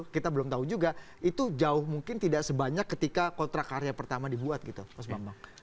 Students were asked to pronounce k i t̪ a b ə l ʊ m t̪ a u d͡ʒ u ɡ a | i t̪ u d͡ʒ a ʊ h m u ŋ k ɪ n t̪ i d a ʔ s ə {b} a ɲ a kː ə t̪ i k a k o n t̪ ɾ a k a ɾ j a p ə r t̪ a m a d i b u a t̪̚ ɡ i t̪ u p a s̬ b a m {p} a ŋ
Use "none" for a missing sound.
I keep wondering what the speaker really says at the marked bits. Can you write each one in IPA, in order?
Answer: b, b

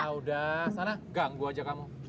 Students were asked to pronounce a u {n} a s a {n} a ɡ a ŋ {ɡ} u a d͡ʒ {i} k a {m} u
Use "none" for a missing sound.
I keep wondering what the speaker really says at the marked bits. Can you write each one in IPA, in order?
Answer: d, n, ɡ, a, m

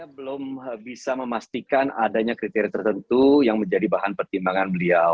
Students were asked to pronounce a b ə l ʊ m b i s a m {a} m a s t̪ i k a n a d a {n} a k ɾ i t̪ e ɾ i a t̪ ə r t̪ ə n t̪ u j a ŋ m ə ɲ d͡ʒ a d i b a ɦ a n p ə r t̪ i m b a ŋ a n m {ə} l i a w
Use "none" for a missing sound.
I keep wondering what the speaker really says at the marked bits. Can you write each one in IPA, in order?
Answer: ə, ɲ, ə

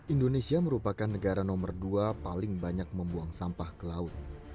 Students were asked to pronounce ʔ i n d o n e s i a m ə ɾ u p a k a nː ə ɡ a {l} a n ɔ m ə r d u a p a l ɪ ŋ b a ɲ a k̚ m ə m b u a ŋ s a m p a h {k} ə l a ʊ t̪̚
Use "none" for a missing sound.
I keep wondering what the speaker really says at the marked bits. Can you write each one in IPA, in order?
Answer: ɾ, k

